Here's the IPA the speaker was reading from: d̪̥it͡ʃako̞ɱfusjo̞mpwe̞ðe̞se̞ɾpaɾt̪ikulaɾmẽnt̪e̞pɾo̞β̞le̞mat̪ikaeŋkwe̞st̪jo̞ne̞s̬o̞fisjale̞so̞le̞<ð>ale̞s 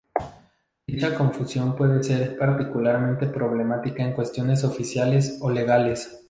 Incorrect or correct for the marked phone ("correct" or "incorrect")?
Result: incorrect